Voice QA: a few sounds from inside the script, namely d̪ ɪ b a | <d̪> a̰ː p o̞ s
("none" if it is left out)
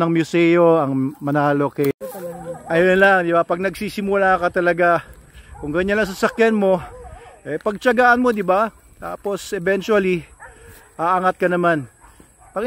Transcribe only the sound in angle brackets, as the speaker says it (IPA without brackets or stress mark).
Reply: t̪